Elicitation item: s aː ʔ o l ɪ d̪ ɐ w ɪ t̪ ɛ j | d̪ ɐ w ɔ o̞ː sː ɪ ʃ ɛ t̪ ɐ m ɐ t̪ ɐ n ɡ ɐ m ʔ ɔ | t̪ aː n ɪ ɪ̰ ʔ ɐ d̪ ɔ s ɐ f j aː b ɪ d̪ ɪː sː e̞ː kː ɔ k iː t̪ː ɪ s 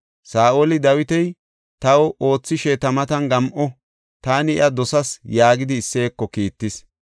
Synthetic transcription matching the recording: s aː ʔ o l ɪ d̪ ɐ w ɪ t̪ ɛ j | t̪ ɐ w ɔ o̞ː t͡sː ɪ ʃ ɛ t̪ ɐ m ɐ t̪ ɐ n ɡ ɐ m ʔ ɔ | t̪ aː n ɪ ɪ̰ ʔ ɐ d̪ ɔ s ɐ s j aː ɡ ɪ d̪ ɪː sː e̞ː kː ɔ k iː t̪ː ɪ s